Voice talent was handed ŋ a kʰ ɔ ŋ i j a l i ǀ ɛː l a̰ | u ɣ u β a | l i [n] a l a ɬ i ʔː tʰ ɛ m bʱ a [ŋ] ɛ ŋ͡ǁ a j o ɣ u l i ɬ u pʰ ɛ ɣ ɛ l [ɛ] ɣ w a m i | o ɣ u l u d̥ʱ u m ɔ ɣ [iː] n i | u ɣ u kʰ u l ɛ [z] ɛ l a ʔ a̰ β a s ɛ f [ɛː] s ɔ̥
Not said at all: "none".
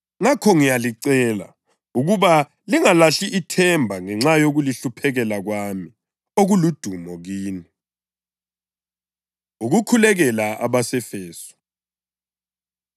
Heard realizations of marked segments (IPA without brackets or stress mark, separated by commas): ŋ, ŋ, a, iː, ɣ, ɛː